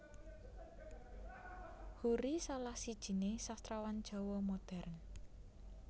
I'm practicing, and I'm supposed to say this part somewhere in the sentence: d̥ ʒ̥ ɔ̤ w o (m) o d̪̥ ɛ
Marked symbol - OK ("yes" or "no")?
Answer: yes